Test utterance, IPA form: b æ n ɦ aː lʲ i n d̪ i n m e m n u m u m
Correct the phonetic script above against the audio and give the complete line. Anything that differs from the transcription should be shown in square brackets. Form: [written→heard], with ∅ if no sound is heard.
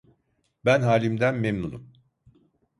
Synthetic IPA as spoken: b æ n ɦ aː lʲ i [n→m] d̪ [i→æ] n m e m n u [m→n] u m